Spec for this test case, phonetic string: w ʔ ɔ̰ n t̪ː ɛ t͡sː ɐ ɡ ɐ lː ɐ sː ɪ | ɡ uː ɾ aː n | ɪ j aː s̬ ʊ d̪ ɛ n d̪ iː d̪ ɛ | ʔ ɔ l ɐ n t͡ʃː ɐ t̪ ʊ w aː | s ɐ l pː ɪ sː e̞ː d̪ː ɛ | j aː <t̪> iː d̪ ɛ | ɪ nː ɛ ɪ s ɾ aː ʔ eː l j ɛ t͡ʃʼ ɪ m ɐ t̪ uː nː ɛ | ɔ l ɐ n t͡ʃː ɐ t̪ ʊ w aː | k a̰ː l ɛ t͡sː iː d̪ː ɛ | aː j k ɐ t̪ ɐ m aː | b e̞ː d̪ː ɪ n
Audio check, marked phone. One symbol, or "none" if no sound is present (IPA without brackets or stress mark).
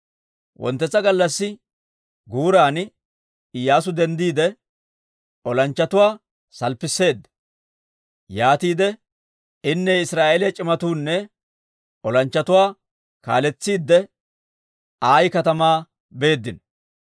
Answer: t̪